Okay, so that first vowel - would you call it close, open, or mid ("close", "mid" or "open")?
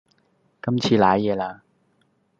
open